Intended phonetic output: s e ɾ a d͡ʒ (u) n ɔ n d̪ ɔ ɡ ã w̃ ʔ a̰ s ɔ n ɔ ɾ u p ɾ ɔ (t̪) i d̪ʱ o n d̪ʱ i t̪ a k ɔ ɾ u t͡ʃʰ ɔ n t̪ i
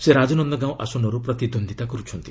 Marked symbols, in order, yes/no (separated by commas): no, yes